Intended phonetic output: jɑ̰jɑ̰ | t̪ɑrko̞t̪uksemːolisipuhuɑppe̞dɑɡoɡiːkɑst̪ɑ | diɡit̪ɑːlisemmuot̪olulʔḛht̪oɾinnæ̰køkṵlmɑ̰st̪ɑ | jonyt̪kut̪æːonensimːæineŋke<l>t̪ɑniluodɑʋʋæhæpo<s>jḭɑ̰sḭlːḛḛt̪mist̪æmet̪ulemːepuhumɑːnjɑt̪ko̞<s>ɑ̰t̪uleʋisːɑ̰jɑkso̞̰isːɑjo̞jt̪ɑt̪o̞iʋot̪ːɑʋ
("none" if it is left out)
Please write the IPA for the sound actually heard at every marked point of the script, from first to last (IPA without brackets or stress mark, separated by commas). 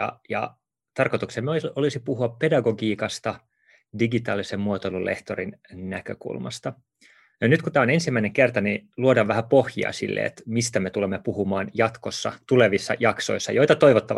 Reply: r, h, sː